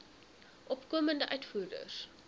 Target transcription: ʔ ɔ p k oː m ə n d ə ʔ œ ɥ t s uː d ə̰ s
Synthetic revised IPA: ʔ ɔ p k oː m ə n d ə ʔ œ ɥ t f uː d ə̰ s